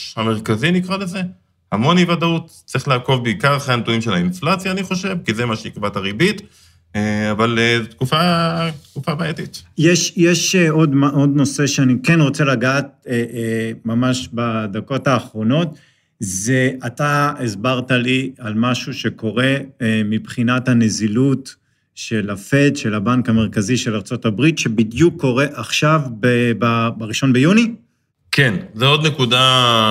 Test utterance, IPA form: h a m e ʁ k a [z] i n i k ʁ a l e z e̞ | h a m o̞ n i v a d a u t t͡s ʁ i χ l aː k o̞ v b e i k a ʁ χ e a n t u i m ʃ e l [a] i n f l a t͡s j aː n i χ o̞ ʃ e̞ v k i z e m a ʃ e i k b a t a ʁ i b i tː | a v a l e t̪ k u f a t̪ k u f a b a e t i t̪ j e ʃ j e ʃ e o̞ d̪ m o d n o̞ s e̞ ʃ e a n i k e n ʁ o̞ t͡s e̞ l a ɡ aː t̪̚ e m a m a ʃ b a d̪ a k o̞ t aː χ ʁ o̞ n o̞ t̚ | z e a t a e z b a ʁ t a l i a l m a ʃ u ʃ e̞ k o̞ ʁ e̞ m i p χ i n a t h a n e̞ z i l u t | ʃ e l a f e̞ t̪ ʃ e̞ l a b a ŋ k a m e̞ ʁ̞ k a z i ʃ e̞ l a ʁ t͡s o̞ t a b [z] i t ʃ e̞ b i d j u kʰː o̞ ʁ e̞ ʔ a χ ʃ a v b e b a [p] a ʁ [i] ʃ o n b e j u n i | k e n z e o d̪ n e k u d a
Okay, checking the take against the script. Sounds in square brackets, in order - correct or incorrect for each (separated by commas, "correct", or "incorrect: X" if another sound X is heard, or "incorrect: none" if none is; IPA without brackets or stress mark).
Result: correct, correct, incorrect: ʁ, incorrect: b, correct